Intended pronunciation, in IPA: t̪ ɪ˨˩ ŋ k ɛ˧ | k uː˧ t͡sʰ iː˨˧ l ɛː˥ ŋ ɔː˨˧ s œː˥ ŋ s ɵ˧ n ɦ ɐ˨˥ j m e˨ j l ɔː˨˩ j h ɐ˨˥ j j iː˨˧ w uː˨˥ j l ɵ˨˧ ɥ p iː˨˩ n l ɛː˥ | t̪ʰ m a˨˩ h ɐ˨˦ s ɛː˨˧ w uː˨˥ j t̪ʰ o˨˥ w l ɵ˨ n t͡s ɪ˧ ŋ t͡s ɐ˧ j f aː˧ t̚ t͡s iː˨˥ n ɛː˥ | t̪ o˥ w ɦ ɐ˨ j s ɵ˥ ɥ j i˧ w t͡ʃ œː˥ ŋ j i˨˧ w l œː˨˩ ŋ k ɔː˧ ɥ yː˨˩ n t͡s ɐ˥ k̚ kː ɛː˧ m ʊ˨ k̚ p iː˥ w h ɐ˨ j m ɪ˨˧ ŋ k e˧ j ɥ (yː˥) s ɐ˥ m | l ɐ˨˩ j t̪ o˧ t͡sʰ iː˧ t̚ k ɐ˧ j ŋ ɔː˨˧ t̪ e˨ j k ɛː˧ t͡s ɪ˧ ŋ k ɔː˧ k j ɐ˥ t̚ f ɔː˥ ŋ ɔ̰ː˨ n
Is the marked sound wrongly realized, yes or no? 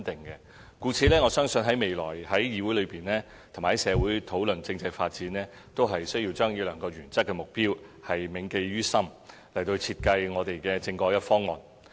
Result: no